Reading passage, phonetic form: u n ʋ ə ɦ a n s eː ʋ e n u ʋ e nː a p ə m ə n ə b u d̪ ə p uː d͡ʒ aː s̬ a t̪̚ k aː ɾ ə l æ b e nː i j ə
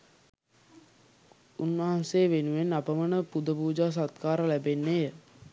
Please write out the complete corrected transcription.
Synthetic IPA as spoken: u n ʋ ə ɦ a n s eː ʋ e n u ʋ e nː a p ə m ə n ə p u d̪ ə p uː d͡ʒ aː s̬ a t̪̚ k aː ɾ ə l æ b e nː e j ə